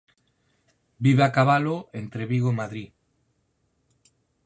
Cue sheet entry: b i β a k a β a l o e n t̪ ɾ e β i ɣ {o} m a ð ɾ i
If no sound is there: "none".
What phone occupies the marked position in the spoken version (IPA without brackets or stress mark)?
o